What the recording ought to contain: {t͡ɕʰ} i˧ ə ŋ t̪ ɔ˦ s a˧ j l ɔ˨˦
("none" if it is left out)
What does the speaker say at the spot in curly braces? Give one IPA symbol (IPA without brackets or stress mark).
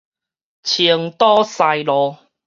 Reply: t͡ɕʰ